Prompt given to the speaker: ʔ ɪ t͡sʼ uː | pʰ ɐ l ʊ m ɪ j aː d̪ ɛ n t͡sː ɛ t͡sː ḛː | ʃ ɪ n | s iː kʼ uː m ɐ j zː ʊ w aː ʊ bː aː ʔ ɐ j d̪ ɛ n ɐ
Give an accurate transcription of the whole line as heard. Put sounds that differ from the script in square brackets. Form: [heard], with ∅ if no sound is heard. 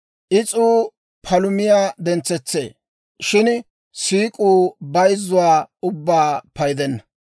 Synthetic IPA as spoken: ʔ ɪ t͡sʼ uː | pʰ ɐ l ʊ m ɪ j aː d̪ ɛ n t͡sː ɛ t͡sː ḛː | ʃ ɪ n | s iː kʼ uː [b] ɐ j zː ʊ w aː ʊ bː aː [p] ɐ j d̪ ɛ [nː] ɐ